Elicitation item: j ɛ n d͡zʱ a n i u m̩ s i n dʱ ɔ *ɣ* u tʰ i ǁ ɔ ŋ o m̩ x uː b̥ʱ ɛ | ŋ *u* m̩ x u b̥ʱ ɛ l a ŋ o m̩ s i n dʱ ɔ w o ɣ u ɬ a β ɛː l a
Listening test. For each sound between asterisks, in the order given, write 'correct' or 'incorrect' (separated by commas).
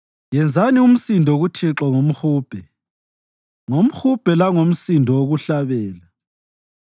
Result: correct, incorrect